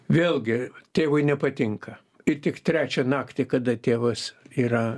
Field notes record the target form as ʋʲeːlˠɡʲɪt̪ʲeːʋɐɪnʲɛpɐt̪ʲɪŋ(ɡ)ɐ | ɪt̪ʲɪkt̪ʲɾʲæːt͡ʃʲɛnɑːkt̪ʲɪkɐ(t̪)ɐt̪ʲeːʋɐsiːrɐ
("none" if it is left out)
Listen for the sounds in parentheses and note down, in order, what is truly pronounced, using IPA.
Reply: k, d̪

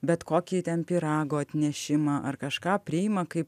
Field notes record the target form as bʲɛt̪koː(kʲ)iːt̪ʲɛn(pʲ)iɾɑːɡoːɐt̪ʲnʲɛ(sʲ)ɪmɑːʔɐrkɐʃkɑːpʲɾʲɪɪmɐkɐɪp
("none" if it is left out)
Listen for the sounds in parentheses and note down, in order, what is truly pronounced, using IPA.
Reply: kʲ, pʲ, ʃʲ

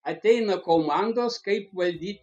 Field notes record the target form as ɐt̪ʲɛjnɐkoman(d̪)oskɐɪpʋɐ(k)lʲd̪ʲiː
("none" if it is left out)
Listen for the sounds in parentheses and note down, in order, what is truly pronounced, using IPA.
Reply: d̪, none

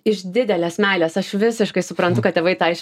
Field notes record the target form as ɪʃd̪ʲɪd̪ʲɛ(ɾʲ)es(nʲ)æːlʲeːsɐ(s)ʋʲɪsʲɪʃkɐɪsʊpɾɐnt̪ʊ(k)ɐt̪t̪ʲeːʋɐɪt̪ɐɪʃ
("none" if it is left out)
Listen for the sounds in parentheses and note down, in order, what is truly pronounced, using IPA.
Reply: lʲ, mʲ, ʃ, k

